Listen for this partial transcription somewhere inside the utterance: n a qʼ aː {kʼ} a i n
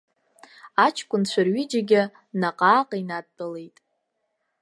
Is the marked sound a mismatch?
yes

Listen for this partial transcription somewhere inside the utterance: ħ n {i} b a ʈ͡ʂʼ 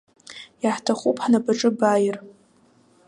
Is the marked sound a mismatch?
yes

